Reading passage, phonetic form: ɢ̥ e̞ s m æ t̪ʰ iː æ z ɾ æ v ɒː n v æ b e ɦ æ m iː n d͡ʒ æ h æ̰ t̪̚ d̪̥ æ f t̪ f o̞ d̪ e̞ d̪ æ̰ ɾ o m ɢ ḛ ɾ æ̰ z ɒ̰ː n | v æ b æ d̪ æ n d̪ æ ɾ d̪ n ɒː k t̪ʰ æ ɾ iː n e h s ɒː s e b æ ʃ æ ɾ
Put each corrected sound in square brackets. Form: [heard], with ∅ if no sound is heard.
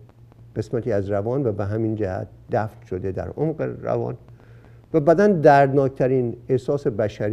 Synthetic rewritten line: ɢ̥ e̞ s m æ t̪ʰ iː æ z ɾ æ v ɒː n v æ b e ɦ æ m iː n d͡ʒ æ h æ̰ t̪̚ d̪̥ æ f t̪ [ʃ] o̞ d̪ e̞ d̪ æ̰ ɾ o m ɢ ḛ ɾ æ̰ [v] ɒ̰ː n | v æ b æ d̪ æ n d̪ æ ɾ d̪ n ɒː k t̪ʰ æ ɾ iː n e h s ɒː s e b æ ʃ æ ɾ